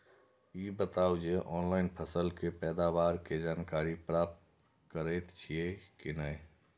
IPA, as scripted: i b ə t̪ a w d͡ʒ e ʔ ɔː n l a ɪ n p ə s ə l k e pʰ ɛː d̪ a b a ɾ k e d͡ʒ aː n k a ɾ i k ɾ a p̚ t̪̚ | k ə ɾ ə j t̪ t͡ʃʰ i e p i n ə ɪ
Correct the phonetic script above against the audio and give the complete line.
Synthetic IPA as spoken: i b ə t̪ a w d͡ʒ e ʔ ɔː n l a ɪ n pʰ ə s ə l k e p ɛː d̪ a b a ɾ k e d͡ʒ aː n k a ɾ i p ɾ a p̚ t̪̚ | k ə ɾ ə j t̪ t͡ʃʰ i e k i n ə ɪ